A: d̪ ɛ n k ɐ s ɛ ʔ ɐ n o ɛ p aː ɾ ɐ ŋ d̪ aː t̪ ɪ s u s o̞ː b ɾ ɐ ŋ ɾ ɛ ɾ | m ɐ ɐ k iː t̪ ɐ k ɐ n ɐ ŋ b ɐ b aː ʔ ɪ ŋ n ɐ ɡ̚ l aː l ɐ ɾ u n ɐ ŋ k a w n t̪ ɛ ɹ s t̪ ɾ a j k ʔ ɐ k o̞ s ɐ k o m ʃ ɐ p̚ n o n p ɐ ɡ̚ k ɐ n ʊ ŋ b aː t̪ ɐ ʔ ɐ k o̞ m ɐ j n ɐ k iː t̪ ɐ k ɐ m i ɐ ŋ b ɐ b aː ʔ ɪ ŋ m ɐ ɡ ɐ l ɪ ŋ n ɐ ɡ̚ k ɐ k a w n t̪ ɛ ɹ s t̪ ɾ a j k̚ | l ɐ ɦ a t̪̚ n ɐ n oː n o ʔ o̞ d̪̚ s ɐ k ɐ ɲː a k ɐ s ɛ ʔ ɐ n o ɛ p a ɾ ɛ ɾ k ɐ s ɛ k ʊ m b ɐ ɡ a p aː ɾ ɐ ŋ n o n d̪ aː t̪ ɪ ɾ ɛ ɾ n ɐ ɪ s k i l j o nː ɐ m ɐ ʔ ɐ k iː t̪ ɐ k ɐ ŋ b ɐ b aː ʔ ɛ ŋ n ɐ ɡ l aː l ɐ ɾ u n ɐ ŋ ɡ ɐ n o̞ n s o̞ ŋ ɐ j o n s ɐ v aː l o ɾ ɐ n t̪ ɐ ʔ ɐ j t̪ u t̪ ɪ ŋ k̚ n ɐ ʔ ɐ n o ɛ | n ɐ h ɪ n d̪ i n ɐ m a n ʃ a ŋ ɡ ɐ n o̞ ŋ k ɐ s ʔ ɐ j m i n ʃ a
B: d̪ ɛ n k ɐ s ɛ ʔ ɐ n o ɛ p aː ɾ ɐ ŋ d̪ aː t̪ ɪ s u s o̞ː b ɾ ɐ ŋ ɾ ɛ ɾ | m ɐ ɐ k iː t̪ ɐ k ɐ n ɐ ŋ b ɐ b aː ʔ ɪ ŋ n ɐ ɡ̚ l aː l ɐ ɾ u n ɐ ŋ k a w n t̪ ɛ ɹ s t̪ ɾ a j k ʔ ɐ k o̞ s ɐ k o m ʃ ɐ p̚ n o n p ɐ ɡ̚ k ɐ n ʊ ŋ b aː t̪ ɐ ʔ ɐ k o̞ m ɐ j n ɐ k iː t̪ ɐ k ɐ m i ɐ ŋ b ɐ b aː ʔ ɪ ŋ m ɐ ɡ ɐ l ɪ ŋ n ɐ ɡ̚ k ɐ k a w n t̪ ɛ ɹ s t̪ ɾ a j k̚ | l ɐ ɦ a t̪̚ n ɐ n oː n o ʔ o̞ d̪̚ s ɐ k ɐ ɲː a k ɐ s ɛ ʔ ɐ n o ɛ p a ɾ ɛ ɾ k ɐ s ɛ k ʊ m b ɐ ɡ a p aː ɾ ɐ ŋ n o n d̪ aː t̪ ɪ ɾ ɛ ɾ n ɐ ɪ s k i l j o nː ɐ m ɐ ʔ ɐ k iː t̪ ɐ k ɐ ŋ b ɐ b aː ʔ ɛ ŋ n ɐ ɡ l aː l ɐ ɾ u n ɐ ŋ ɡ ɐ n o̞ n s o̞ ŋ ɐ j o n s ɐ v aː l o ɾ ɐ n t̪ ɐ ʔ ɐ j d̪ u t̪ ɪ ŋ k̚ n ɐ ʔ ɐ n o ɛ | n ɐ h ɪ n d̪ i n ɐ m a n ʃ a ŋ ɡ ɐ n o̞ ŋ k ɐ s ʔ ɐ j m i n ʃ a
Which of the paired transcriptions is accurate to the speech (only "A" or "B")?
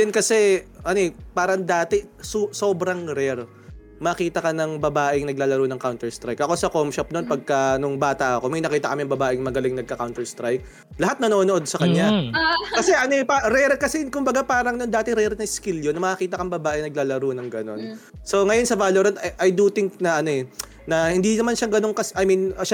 B